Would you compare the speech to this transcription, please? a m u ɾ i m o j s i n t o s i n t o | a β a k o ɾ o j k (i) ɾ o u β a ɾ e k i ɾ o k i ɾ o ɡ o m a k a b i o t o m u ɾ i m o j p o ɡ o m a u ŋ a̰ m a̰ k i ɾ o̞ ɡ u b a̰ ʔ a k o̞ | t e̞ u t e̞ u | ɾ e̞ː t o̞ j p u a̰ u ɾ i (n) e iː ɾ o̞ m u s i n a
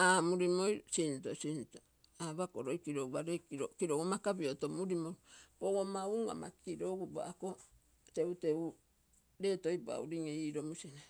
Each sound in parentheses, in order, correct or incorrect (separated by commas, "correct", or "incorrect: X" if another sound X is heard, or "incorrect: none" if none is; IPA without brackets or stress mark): correct, incorrect: ŋ